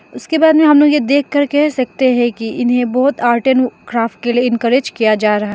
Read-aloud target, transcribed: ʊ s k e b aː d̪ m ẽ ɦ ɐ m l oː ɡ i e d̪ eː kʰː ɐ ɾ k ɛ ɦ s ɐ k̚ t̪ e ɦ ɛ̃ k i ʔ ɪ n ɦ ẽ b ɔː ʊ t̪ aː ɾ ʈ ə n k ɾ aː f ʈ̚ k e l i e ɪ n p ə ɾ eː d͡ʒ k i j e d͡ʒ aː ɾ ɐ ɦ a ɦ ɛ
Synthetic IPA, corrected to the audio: ʊ s k e b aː d̪ m ẽ ɦ ɐ m l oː ɡ j e d̪ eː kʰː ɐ ɾ k ɛ ɦ s ɐ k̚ t̪ e ɦ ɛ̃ k i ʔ ɪ n ɦ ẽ b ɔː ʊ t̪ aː ɾ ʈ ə n k ɾ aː f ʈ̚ k e l i e ɪ n k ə ɾ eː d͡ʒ k i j a d͡ʒ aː ɾ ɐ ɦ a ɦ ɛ